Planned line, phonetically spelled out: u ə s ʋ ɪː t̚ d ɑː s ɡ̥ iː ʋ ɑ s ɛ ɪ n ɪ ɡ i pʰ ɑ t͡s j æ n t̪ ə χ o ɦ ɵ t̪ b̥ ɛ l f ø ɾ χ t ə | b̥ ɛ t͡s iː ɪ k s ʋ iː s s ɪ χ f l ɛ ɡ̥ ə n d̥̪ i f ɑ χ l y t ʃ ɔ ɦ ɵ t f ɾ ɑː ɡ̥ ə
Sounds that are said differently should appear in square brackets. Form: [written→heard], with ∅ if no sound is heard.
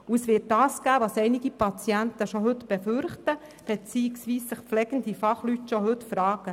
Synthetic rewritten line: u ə s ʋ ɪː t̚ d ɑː s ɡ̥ [iː→æː] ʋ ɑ s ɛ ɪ n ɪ ɡ i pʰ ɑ t͡s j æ n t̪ ə [χ→ʃ] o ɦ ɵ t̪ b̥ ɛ [l→∅] f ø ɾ χ t ə | b̥ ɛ t͡s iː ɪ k s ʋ iː s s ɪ χ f l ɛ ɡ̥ ə n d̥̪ i f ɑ χ l y t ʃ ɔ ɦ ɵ t f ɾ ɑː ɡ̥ ə